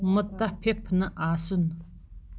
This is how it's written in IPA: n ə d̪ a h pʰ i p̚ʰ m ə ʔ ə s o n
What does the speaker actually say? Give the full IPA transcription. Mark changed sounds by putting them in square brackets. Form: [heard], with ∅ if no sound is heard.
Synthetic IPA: [m] ə [t̪] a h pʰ [e] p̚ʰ [n] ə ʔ [a] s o n